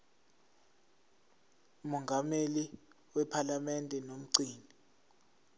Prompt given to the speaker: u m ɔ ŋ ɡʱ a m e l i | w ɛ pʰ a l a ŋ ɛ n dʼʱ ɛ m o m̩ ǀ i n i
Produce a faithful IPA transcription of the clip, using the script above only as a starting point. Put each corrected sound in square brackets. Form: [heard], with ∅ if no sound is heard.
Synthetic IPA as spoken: u m ɔ ŋ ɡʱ a m e l i | w ɛ pʰ a l a [m] ɛ n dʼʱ ɛ [n] o m̩ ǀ [iː] n i